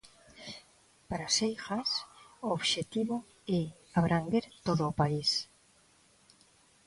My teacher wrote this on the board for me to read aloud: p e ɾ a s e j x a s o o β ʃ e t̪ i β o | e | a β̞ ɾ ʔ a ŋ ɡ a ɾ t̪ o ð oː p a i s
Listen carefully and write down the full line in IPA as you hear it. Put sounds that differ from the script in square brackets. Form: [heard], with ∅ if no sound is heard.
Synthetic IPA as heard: p [a] ɾ a s e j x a s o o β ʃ e t̪ i β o | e | a β̞ ɾ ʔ a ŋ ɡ [e] ɾ t̪ o ð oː p a i s